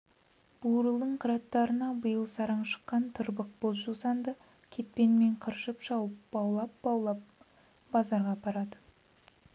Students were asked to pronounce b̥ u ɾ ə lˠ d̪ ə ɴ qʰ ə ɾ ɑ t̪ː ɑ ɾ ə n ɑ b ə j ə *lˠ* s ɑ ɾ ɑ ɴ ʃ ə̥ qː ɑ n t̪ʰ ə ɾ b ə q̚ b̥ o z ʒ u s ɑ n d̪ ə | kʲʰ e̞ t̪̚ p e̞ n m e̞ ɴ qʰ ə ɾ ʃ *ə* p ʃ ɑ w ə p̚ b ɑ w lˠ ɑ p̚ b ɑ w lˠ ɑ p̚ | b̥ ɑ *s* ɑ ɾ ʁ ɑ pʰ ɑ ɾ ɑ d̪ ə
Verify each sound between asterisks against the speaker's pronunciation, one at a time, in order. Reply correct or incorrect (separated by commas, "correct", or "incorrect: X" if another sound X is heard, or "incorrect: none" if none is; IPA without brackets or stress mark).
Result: correct, correct, incorrect: z